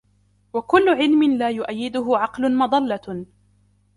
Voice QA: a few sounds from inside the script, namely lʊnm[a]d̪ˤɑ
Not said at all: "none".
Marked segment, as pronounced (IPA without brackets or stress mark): ɑ